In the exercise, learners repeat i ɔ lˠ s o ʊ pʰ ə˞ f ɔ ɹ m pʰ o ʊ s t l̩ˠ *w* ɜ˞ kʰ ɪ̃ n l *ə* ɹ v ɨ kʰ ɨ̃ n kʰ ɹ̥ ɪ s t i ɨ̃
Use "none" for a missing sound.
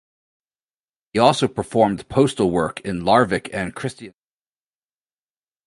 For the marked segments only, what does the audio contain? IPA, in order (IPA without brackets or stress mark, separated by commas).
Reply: w, ɑ